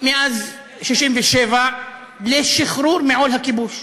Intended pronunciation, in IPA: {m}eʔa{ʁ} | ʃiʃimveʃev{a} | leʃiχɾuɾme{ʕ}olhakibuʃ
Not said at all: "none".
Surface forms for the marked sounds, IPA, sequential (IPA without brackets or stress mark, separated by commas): m, z, a, ʕ